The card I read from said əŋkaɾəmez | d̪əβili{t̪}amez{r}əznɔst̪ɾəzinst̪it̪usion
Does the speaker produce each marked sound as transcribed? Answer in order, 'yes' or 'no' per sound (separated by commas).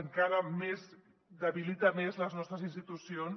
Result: yes, no